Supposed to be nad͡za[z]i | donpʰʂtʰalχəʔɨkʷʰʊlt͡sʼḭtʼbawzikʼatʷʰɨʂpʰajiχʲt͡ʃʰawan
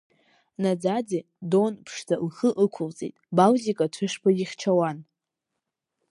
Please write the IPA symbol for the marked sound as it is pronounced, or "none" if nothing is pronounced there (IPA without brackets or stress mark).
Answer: d͡z